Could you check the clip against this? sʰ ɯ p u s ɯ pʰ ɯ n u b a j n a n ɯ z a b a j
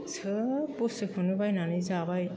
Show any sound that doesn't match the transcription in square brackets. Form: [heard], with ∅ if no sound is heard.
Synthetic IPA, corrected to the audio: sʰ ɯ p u s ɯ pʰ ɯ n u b a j n a n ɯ z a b a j